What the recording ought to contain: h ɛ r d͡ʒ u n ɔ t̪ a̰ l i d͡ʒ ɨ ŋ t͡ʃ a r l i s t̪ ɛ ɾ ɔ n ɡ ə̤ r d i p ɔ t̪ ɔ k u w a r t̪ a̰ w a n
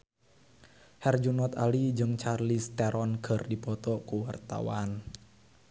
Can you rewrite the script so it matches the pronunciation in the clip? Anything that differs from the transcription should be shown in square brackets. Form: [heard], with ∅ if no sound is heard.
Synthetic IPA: h ɛ r d͡ʒ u n ɔ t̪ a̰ l i d͡ʒ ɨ ŋ t͡ʃ a r l i s t̪ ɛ ɾ ɔ n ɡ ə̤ r d i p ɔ t̪ ɔ k u w a r t̪ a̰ w a n